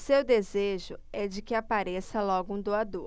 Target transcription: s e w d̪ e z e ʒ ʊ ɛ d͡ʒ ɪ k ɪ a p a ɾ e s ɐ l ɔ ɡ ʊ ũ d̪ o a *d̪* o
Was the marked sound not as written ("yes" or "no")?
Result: no